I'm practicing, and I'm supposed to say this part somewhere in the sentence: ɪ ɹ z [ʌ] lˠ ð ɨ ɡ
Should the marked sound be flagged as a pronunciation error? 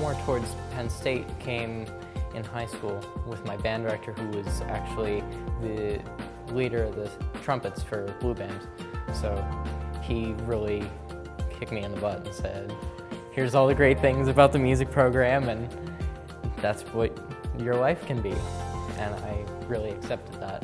yes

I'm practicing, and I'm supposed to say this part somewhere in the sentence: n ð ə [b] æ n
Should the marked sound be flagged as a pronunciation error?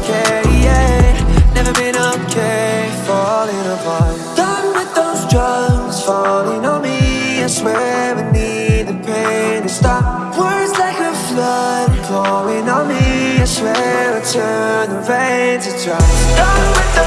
yes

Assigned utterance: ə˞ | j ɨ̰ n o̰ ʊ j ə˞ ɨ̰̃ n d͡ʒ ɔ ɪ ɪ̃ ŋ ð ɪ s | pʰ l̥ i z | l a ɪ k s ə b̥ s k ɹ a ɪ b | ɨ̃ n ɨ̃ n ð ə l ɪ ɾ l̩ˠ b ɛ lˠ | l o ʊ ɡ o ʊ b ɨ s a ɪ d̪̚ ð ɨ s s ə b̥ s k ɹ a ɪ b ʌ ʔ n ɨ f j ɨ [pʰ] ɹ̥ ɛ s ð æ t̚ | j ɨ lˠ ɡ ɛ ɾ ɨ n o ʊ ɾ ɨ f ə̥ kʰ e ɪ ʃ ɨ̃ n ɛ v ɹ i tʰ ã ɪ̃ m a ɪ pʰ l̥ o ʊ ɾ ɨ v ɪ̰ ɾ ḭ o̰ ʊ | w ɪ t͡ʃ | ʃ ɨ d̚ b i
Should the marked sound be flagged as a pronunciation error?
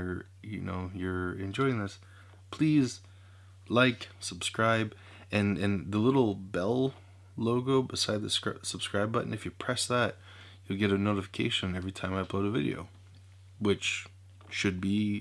no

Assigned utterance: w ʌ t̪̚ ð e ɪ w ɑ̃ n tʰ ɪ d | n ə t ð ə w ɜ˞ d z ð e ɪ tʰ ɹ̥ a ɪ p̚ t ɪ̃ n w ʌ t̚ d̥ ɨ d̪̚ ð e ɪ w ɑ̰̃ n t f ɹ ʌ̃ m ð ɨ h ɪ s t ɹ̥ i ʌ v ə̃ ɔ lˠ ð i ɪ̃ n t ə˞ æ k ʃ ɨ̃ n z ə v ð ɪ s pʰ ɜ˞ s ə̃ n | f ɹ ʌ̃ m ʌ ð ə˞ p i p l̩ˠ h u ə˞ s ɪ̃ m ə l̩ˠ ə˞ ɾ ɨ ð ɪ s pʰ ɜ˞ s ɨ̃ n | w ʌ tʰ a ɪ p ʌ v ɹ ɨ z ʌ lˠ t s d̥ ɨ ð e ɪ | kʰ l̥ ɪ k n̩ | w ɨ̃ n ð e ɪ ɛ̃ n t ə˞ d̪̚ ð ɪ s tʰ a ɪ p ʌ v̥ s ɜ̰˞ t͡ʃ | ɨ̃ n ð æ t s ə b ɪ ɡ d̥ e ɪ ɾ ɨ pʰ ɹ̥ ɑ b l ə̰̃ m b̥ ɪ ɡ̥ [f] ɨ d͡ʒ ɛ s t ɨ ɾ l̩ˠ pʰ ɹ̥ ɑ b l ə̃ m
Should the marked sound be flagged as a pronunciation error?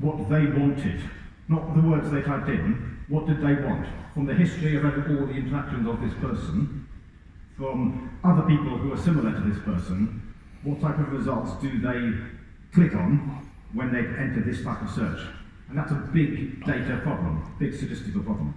yes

